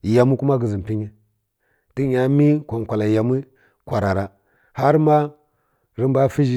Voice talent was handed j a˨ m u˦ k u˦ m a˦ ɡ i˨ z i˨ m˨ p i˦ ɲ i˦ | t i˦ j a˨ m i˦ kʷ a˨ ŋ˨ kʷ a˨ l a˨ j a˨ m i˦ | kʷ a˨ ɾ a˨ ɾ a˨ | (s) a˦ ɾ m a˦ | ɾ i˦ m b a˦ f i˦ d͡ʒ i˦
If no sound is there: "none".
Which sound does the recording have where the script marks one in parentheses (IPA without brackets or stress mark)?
h